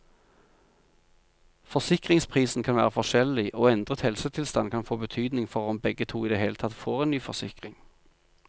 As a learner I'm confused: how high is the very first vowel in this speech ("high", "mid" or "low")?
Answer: mid